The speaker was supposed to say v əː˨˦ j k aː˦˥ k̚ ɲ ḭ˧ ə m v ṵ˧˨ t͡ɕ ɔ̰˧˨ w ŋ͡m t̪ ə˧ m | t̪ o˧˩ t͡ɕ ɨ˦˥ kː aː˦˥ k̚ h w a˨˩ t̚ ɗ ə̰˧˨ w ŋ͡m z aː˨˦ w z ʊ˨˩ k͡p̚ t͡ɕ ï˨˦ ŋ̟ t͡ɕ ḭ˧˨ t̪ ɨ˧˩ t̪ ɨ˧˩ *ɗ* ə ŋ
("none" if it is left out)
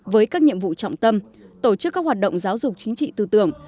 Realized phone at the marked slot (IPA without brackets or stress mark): none